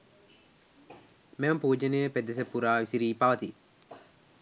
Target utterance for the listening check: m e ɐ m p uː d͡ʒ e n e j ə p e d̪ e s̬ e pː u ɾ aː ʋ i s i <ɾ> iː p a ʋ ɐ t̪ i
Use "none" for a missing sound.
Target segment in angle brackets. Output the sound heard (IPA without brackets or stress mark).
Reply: ɾ